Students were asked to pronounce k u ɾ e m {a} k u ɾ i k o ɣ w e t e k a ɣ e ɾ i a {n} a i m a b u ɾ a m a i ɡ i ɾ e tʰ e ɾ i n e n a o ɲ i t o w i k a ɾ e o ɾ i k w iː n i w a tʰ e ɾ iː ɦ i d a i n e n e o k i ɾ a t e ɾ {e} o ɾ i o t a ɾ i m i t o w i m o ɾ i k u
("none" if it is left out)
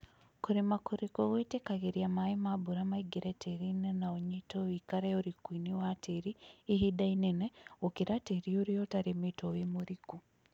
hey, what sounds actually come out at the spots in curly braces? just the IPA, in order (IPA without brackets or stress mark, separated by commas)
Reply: a, m, i